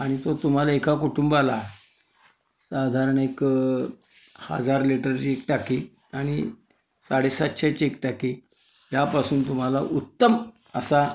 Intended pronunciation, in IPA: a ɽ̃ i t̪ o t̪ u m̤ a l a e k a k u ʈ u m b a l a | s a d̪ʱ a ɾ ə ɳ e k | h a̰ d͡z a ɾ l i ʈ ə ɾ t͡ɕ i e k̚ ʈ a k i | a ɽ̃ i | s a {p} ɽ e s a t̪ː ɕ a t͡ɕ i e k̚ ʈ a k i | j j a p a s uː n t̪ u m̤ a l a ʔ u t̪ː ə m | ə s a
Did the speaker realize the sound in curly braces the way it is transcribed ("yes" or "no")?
no